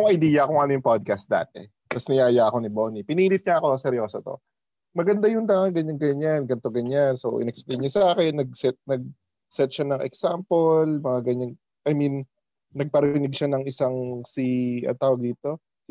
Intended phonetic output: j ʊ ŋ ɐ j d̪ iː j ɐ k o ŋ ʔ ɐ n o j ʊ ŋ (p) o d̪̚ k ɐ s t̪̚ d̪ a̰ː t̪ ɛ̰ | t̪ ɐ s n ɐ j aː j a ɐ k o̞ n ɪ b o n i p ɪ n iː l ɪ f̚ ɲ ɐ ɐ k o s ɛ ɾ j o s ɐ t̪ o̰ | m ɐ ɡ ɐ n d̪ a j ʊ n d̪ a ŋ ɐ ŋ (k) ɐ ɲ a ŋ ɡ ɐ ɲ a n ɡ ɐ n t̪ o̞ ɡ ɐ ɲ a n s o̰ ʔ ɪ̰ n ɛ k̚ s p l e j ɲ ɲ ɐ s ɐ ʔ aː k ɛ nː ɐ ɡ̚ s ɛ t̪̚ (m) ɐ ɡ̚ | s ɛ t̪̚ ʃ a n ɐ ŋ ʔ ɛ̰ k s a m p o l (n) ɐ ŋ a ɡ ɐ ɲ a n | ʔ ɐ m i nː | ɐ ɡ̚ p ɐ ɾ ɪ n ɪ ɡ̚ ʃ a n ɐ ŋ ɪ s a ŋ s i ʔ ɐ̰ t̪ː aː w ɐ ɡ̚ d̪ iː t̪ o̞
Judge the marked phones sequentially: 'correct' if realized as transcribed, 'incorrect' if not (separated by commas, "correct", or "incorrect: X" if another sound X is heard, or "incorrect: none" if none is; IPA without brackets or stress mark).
correct, incorrect: ɡ, incorrect: n, incorrect: m